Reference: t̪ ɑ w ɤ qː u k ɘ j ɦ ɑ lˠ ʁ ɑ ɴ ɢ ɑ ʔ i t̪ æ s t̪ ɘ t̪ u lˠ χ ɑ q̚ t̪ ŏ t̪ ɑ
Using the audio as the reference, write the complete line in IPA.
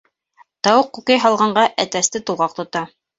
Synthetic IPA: t̪ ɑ w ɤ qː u k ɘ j ɦ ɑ lˠ ʁ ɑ ɴ ɢ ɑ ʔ æ t̪ æ s t̪ ɘ t̪ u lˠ ʁ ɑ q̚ t̪ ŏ t̪ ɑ